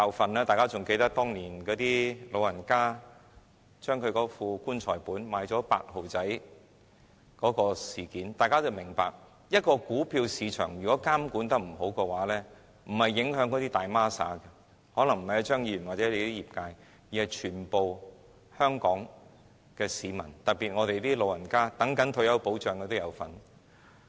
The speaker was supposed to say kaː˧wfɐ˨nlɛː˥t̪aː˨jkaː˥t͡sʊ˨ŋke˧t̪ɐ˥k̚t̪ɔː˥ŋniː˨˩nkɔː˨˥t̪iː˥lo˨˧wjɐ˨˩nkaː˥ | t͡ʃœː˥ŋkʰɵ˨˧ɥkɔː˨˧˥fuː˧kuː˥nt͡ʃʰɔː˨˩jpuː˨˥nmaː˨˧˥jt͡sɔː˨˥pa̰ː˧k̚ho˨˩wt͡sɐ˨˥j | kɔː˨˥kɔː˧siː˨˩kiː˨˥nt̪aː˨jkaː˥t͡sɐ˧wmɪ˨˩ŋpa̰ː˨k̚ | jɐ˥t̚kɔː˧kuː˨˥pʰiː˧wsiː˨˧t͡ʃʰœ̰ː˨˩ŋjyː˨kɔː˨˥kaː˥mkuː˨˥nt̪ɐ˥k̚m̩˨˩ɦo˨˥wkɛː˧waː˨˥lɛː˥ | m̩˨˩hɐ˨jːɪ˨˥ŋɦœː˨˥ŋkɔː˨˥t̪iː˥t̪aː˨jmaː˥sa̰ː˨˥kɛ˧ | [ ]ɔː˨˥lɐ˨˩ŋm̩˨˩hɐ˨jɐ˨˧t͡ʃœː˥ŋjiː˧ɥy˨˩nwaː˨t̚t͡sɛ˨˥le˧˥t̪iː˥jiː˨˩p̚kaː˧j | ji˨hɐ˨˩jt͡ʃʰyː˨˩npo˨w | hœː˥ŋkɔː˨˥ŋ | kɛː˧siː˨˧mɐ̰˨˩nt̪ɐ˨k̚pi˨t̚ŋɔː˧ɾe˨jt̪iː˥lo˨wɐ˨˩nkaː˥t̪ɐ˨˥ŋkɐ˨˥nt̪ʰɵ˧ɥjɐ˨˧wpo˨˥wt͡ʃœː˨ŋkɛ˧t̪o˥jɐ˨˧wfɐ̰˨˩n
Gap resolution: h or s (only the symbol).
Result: h